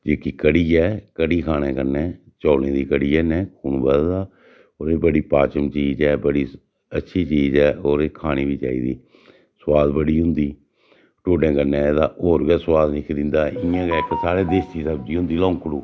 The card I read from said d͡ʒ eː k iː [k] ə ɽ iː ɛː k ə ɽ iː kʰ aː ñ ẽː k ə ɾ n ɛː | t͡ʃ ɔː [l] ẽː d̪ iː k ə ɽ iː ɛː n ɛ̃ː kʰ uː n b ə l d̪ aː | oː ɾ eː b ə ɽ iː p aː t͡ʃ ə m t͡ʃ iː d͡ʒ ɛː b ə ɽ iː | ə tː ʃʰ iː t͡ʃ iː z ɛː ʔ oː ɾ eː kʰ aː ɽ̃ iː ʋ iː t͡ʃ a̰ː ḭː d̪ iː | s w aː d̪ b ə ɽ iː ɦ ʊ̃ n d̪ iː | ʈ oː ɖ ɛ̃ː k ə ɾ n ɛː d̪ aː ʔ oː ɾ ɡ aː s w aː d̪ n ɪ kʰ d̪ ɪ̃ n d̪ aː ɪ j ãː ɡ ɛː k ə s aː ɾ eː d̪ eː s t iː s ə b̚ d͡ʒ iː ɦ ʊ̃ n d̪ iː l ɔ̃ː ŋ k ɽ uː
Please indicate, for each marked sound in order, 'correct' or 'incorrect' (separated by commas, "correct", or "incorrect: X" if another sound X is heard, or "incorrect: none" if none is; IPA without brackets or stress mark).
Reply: correct, correct